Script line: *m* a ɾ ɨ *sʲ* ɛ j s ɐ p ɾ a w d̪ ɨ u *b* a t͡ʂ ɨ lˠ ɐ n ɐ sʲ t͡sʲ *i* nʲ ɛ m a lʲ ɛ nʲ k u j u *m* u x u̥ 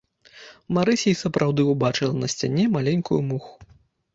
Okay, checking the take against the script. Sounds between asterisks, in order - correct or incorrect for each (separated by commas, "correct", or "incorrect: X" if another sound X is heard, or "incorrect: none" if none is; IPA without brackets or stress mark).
correct, correct, correct, incorrect: a, correct